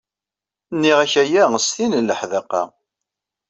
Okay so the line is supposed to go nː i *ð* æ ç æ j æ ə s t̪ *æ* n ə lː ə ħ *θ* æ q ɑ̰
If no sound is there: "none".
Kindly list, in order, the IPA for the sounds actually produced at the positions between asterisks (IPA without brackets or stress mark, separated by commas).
ʁ, i, ð